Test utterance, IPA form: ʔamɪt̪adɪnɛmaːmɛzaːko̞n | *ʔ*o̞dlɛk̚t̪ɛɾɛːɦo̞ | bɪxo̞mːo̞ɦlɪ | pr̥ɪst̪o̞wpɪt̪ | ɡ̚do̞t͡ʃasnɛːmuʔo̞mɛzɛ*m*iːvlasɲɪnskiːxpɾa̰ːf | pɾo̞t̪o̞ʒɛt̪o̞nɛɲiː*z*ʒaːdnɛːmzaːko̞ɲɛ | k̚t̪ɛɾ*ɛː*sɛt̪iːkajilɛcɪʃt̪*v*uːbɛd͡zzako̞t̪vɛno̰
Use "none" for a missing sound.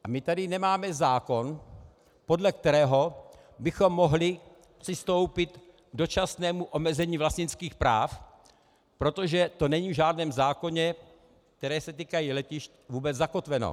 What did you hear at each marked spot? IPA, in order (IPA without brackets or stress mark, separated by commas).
p, ɲ, v, ɛː, v